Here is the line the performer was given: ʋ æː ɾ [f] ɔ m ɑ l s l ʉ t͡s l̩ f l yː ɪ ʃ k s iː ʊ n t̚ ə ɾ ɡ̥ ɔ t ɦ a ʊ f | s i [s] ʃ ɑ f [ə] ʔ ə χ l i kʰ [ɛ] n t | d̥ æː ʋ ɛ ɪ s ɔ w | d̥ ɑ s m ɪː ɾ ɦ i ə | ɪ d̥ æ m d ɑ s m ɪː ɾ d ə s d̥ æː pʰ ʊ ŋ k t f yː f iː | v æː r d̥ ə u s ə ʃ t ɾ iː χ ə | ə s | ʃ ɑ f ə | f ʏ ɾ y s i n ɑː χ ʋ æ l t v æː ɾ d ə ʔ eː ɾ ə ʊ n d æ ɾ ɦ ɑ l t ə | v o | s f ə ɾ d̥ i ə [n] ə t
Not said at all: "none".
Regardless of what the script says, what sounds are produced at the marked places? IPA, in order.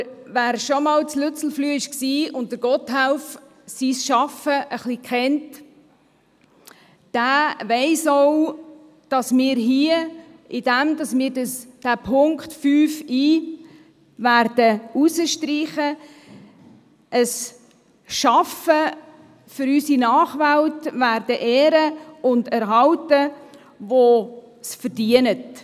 ʃ, s, ə, ɛ, n

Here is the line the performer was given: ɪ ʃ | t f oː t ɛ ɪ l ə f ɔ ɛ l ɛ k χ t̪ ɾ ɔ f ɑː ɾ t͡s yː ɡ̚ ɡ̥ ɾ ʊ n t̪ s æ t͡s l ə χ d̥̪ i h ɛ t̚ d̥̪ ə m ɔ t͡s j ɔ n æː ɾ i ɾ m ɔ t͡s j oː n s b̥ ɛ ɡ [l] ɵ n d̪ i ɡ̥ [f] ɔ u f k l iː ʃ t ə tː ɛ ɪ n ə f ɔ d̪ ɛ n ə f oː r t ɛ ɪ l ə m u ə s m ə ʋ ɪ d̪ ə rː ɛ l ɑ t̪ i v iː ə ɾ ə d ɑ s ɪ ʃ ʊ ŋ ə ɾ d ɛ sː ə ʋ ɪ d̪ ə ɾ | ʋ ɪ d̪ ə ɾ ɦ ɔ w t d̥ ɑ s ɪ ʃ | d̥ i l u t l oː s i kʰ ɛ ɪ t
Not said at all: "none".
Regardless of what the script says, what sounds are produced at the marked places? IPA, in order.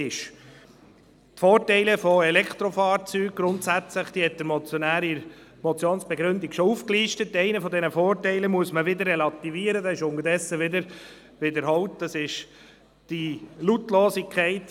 ɾ, ʃ

